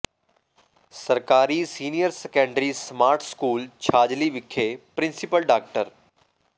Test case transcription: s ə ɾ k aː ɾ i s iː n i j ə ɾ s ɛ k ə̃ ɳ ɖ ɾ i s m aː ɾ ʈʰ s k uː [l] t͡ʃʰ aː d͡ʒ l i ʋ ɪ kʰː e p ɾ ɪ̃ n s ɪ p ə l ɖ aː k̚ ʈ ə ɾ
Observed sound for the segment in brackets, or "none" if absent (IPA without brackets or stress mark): l